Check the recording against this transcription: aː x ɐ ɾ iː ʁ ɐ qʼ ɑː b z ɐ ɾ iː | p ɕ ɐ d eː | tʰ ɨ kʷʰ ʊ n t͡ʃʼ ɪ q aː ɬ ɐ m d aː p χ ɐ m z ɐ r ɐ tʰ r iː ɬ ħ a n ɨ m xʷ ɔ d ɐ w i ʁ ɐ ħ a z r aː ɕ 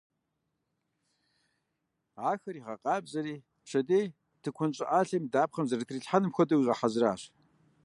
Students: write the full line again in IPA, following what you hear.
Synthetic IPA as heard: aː x ɐ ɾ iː ʁ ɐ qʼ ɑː b z ɐ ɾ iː | p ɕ ɐ d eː | tʰ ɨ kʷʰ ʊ n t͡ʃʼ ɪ ʔ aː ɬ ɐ m d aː p χ ɐ m z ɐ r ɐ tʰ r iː ɬ ħ a n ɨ m xʷ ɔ d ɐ w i ʁ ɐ ħ a z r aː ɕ